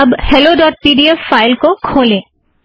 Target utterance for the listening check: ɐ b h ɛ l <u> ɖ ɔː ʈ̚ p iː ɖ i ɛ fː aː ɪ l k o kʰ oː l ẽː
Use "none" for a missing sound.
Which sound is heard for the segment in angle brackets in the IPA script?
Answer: o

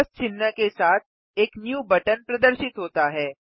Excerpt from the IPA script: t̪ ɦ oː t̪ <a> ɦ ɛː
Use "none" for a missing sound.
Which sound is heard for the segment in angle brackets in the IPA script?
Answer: a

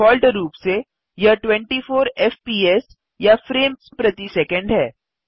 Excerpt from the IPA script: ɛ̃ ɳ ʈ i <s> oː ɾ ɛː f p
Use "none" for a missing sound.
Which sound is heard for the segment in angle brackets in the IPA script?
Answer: f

